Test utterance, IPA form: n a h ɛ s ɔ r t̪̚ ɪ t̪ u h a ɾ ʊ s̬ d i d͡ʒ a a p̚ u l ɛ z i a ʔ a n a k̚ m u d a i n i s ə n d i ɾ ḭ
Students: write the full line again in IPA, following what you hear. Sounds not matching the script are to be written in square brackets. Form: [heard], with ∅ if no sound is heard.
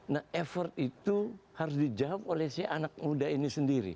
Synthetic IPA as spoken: n a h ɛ [f] ɔ r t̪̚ [i] t̪ u h a ɾ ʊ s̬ d i d͡ʒ a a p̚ [o] l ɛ [s] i a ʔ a n a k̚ m u d a i n i s ə n d i ɾ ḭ